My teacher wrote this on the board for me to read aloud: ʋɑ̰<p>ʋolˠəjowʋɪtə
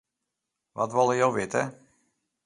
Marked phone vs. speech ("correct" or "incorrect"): incorrect